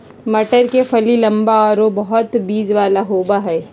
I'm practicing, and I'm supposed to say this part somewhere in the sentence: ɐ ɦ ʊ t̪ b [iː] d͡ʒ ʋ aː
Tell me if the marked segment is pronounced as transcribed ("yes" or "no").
yes